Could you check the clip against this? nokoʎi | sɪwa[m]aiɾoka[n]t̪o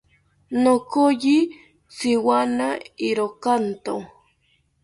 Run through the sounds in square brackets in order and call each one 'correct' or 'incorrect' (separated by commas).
incorrect, correct